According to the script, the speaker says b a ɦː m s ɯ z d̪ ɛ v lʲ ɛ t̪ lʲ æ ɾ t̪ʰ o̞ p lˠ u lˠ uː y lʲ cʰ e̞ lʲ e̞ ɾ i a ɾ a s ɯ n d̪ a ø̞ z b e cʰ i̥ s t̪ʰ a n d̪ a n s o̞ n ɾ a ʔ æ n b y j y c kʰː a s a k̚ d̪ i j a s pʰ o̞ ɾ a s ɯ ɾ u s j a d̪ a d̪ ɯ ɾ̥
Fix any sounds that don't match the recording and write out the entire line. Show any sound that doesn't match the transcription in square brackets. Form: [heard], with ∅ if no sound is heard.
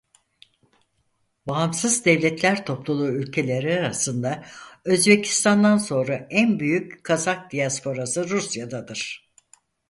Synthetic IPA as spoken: b a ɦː m s ɯ z d̪ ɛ v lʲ ɛ t̪ lʲ æ ɾ t̪ʰ o̞ p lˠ u lˠ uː y lʲ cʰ e̞ lʲ e̞ ɾ i a ɾ a s ɯ n d̪ a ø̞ z b e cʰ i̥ s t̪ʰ a n d̪ a n s o̞ n ɾ a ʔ æ n b y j y c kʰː a [z] a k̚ d̪ i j a s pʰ o̞ ɾ a s ɯ ɾ u s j a d̪ a d̪ ɯ ɾ̥